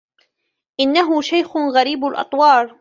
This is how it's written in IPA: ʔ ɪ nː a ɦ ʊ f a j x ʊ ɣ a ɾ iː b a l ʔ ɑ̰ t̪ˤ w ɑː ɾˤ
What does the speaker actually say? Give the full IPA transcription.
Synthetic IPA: ʔ ɪ nː a ɦ ʊ ʃ a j x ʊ ɣ a ɾ iː b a l ʔ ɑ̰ t̪ˤ w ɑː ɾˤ